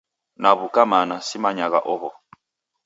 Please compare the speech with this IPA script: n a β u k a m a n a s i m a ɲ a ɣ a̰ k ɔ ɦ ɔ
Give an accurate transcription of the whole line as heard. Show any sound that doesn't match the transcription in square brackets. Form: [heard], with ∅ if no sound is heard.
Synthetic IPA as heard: n a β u k a m a n a s i m a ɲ a ɣ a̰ [ʔ] ɔ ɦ ɔ